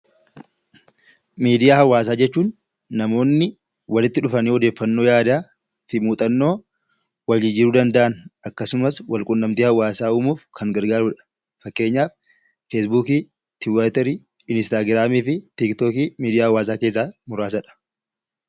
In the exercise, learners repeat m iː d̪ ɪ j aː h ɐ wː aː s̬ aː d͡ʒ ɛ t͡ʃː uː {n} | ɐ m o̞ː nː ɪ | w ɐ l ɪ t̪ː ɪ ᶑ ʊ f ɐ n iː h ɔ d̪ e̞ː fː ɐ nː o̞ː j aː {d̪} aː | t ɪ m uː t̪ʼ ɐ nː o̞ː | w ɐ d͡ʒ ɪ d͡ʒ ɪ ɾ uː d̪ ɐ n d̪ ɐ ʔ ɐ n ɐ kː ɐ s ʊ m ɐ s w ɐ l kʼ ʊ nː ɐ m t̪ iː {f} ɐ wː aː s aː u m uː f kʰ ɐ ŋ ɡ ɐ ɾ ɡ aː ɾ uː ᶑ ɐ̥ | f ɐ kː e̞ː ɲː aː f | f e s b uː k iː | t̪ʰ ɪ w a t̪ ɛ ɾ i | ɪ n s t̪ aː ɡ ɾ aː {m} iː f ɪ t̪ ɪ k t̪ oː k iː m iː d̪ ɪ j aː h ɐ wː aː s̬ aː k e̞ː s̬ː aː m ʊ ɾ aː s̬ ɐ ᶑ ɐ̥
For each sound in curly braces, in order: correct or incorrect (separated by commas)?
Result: incorrect, correct, incorrect, correct